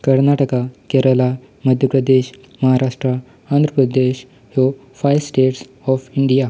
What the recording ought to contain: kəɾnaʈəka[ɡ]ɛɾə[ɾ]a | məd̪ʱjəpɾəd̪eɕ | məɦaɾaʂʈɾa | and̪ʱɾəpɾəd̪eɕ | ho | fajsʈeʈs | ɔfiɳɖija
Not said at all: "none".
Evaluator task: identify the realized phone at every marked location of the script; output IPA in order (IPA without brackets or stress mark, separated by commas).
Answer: k, l